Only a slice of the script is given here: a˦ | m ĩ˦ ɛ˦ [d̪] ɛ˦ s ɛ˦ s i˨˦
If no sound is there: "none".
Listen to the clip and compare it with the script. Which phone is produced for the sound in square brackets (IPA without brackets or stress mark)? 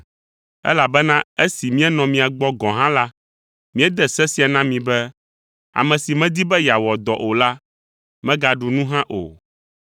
d̪